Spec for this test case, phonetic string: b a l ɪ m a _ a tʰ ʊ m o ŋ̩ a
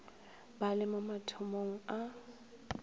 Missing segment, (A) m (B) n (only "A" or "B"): A